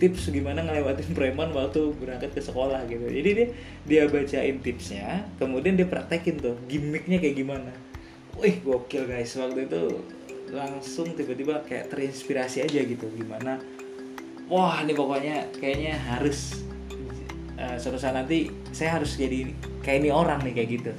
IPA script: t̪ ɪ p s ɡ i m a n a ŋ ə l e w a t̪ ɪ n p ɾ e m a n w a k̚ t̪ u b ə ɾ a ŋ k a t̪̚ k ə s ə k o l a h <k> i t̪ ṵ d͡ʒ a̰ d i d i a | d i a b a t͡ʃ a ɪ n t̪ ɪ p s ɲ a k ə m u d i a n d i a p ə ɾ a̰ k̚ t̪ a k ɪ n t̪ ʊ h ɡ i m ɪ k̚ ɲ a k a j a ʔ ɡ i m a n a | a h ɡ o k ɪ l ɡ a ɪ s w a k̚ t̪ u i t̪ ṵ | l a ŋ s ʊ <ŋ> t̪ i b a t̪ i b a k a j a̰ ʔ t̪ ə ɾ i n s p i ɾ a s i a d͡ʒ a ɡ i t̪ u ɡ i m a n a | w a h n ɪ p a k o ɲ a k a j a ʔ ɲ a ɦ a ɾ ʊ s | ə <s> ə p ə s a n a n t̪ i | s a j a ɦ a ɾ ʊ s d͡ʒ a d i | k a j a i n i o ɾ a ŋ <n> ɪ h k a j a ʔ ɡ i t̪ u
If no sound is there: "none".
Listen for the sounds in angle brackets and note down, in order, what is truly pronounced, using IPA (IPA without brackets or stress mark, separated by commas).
ɡ, ŋ, s, n